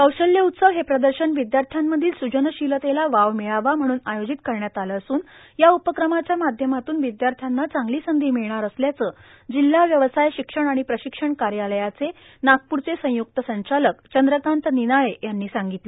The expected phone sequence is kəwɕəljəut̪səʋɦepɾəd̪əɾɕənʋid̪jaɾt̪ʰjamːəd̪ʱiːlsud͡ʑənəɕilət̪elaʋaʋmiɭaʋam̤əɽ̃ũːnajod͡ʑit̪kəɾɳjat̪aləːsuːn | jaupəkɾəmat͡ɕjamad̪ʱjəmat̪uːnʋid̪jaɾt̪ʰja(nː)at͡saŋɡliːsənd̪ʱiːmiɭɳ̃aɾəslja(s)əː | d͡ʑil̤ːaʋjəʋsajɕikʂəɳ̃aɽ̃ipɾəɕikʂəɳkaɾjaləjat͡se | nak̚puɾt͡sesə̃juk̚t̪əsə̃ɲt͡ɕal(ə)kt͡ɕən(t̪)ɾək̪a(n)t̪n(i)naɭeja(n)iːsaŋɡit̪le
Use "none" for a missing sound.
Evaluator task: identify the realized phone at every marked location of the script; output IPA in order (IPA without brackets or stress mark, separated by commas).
nː, t͡s, ə, d̪, n, i, nː